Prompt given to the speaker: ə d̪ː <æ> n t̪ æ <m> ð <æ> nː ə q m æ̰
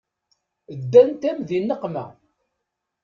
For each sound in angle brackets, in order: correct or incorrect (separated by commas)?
correct, correct, incorrect